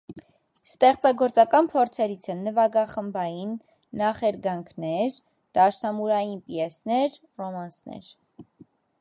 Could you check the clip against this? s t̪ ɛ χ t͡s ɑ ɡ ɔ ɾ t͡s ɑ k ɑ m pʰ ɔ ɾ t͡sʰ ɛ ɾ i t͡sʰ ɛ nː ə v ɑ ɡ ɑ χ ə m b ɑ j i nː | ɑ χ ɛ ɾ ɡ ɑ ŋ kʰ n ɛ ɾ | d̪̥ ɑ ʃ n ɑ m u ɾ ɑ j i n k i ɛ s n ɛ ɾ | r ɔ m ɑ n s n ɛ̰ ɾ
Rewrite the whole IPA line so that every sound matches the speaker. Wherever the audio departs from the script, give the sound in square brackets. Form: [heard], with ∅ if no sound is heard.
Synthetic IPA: s t̪ ɛ χ t͡s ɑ ɡ ɔ ɾ t͡s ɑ k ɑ [n] pʰ ɔ ɾ t͡sʰ ɛ ɾ i t͡sʰ ɛ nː ə v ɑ ɡ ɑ χ ə m b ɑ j i nː | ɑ χ ɛ ɾ ɡ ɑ ŋ kʰ n ɛ ɾ | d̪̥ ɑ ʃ n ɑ m u ɾ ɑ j i n [p] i ɛ s n ɛ ɾ | r ɔ m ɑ n s n ɛ̰ ɾ